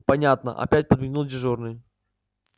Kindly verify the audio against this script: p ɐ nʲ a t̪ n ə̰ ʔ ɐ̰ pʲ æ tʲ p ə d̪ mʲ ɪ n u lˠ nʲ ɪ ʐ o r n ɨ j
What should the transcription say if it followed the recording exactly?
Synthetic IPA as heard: p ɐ nʲ a t̪ n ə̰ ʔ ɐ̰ pʲ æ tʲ p ə d̪ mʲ ɪ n u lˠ dʲ ɪ ʐ o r n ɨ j